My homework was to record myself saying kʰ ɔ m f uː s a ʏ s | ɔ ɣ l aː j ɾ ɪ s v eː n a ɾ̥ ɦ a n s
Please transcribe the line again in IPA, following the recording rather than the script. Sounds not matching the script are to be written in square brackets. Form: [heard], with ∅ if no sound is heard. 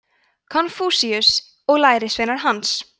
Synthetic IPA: kʰ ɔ [n] f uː s [i] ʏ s | ɔ ɣ l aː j ɾ ɪ s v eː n a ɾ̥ ɦ a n s